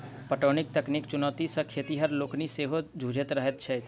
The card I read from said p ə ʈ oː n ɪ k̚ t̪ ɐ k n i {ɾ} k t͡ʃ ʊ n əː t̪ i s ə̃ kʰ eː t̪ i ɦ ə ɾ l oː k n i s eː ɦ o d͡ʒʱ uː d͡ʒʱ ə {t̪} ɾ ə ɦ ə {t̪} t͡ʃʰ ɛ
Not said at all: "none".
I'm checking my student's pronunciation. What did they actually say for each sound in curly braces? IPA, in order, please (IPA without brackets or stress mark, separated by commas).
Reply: none, t̪, t̪